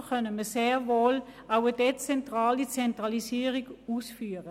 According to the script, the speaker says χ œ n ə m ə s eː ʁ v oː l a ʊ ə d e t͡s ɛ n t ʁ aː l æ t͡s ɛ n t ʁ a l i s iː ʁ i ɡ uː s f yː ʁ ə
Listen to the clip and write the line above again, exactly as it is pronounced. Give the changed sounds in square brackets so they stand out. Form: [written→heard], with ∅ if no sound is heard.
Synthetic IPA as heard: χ œ n ə m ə s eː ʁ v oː l a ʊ ə d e t͡s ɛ n t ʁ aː l [æ→i] t͡s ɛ n t ʁ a l i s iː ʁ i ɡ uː s f yː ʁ ə